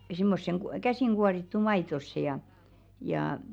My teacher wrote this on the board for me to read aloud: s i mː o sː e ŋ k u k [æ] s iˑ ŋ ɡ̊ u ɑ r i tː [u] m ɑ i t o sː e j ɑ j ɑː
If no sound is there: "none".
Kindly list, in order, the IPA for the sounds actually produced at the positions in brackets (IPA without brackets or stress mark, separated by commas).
æ, u